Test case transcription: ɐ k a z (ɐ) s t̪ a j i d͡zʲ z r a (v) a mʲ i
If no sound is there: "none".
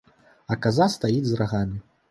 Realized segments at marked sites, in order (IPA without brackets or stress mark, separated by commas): a, ɣ